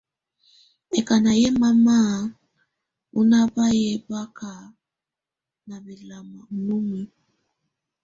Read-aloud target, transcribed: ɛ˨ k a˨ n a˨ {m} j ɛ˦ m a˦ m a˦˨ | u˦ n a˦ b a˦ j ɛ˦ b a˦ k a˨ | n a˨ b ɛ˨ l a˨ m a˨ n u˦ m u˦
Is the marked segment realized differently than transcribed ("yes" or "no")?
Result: yes